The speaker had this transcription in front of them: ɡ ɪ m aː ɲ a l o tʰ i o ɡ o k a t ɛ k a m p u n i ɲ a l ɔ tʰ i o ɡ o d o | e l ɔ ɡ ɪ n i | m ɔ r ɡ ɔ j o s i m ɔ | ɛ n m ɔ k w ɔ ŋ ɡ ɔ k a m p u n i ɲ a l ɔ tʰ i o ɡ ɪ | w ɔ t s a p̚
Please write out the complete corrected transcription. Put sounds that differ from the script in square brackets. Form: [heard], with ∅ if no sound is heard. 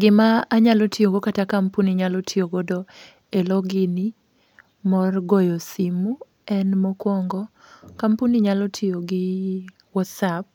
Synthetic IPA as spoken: ɡ ɪ m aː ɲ a l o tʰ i o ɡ o k a t [a] k a m p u n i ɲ a l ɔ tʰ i o ɡ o d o | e l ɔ ɡ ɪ n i | m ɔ r ɡ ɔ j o s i m [u] | ɛ n m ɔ k w ɔ ŋ ɡ ɔ k a m p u n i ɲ a l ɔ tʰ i o ɡ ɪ | w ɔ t s a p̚